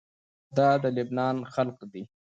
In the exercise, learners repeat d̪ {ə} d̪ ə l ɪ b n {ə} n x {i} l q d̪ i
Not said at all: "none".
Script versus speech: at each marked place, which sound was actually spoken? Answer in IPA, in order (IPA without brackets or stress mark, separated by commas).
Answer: ɑ, ɑ, a